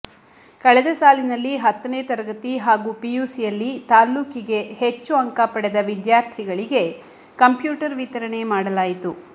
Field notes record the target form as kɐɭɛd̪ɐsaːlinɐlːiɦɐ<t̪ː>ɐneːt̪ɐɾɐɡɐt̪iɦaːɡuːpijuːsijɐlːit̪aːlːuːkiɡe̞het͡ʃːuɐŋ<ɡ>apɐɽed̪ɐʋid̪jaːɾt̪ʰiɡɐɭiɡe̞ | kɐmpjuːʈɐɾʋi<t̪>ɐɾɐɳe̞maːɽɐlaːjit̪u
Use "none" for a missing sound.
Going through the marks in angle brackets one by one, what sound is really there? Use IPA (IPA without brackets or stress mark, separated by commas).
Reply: t̪ː, k, t̪